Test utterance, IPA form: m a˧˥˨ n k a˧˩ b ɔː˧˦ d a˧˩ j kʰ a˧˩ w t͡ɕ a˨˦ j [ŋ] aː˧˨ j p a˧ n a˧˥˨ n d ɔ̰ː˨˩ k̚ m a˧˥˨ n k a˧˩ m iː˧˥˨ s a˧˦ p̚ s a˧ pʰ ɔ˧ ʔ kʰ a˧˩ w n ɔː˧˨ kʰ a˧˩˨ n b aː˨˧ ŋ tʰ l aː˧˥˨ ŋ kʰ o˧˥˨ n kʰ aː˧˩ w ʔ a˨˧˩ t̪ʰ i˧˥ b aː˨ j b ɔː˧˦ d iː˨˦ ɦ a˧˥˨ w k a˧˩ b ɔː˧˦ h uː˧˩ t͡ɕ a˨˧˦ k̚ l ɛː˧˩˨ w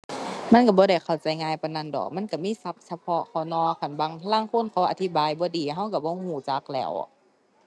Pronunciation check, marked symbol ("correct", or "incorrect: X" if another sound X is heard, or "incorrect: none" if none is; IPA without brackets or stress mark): correct